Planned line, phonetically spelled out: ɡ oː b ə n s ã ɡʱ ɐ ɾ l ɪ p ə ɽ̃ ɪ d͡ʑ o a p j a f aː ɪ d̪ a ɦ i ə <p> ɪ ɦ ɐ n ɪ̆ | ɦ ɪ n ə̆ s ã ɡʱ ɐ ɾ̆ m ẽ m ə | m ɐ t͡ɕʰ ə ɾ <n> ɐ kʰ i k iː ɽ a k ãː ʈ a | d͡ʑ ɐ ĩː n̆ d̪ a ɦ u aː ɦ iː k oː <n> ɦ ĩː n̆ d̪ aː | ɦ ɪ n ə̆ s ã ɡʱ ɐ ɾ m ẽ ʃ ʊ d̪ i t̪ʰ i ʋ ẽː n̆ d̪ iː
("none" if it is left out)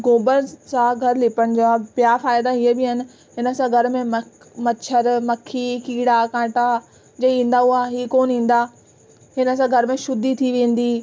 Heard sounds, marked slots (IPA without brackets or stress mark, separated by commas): b, m, n